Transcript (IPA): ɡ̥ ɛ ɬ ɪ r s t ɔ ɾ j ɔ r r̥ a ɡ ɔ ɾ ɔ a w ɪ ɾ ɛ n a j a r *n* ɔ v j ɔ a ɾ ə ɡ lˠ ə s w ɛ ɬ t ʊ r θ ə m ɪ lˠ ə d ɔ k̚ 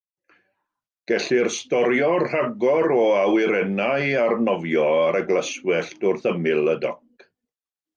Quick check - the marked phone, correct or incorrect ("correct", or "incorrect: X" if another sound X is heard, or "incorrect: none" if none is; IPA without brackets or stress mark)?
correct